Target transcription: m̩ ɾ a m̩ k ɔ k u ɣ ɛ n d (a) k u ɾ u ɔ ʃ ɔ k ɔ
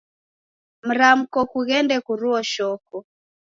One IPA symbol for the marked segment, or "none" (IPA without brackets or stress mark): ɛ